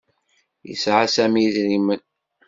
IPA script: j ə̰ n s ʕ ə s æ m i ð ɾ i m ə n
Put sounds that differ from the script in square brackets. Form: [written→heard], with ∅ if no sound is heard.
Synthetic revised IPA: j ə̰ [n→∅] s ʕ [ə→a] s æ m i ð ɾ i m ə n

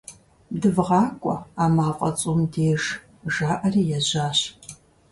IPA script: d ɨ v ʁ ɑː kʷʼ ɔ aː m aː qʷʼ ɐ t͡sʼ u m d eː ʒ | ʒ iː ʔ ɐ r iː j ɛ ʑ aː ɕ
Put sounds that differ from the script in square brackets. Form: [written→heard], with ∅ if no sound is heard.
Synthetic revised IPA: d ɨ v ʁ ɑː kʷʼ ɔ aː m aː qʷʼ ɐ t͡sʼ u m d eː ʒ | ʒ [iː→aː] ʔ ɐ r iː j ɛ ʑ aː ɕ

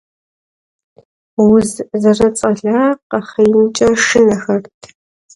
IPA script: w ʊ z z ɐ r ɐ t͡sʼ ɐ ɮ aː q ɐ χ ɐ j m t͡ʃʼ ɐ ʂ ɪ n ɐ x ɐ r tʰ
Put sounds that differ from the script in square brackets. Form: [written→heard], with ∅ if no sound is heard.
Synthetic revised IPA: w ʊ z z ɐ r ɐ t͡sʼ ɐ ɮ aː q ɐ χ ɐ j m t͡ʃʼ ɐ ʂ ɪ n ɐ x ɐ r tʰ

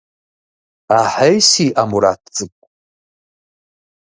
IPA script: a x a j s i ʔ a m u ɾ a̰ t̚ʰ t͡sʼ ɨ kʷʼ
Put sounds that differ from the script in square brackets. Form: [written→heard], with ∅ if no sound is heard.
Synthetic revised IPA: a [x→ħ] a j s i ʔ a m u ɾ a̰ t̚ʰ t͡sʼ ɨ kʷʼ

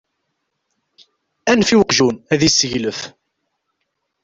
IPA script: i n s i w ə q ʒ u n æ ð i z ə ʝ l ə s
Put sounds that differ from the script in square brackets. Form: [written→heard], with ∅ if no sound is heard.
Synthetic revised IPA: [i→æ] n [s→f] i w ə q ʒ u n æ ð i [z→s] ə ʝ l ə [s→f]

